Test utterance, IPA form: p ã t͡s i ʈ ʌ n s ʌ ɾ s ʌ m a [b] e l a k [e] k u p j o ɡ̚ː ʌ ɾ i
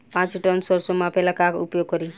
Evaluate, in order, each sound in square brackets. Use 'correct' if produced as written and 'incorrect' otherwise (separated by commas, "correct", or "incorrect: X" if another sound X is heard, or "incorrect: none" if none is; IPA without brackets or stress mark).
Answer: incorrect: p, incorrect: a